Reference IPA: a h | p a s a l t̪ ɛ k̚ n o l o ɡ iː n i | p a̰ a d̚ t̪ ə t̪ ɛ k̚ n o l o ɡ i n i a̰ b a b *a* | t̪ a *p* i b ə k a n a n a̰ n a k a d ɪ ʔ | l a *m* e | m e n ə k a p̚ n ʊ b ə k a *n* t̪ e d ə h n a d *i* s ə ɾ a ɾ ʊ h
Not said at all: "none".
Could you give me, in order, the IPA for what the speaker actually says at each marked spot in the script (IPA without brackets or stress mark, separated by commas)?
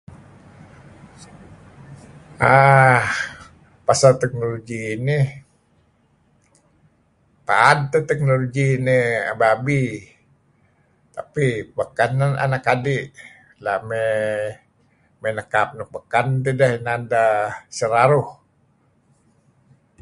i, p, m, n, a